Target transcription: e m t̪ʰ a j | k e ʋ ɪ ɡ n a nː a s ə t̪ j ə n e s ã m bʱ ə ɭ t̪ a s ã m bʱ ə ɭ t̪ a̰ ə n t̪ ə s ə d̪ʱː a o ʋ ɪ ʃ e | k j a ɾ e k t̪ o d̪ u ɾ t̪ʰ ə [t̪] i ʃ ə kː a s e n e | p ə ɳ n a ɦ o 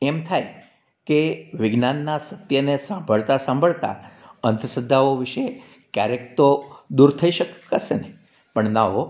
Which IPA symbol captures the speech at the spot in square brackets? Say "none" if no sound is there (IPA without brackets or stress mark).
none